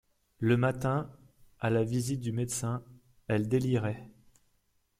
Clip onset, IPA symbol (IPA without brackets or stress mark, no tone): l